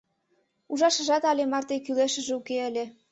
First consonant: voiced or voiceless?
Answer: voiced